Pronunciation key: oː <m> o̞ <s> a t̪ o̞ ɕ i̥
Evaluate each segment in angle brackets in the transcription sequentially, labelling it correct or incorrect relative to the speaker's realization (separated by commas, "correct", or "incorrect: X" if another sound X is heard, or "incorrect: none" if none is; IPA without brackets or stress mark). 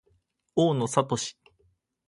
incorrect: n, correct